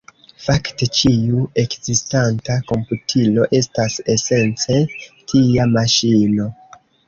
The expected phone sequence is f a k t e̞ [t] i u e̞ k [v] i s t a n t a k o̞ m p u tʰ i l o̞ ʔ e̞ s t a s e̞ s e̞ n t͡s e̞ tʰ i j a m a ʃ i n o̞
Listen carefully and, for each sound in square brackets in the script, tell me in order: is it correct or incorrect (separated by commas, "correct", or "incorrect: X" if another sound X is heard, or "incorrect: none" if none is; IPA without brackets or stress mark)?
incorrect: t͡ʃ, incorrect: z